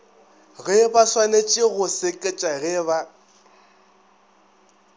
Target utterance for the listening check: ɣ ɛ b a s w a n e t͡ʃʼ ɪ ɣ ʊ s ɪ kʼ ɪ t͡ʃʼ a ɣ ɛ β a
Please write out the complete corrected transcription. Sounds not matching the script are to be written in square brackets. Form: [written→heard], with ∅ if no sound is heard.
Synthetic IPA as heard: ɣ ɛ b a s w a n e t͡ʃʼ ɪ ɣ ʊ s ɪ kʼ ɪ t͡ʃʼ a ɣ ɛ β a